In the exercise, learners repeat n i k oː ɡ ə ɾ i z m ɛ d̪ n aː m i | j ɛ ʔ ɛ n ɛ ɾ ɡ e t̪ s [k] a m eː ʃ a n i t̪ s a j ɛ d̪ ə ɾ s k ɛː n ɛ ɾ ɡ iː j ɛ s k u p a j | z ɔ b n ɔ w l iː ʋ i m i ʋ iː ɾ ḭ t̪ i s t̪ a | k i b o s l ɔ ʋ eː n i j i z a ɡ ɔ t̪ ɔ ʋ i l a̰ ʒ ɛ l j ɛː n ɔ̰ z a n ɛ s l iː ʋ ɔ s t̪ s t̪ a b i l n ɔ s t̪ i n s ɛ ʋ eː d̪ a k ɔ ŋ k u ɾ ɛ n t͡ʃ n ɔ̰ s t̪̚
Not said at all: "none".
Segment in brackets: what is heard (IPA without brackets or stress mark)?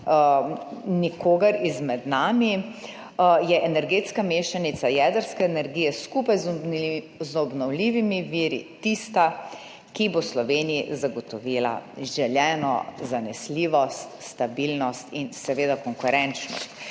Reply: k